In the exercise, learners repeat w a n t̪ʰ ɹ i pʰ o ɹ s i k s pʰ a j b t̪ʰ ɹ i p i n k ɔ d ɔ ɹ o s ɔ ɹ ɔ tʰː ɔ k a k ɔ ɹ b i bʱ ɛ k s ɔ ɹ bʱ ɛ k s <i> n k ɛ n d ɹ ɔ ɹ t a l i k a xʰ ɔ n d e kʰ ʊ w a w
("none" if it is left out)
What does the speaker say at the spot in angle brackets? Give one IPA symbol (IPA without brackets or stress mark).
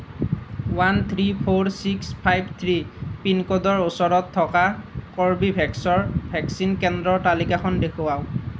i